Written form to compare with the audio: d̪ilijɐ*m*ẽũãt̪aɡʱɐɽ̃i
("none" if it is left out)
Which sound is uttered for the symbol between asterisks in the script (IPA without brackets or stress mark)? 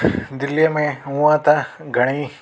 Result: m